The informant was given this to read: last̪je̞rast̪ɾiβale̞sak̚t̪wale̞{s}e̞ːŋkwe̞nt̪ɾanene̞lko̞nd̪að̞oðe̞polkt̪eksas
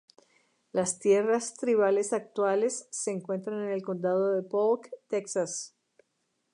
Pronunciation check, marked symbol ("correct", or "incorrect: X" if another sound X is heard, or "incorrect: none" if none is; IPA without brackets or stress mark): incorrect: sː